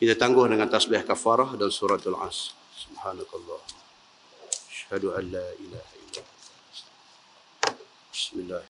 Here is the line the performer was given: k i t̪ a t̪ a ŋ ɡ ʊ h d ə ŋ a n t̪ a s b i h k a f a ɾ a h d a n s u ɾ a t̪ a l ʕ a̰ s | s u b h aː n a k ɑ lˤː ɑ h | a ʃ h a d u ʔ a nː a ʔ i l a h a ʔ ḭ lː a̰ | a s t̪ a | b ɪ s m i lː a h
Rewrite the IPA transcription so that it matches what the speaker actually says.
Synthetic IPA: k i t̪ a t̪ a ŋ ɡ ʊ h d ə ŋ a n t̪ a s b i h k a f a ɾ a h d a n s u ɾ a t̪ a l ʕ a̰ s | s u b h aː n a k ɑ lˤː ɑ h | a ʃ h a d u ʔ a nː a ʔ i l a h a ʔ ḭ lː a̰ | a s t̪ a | b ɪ s m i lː a h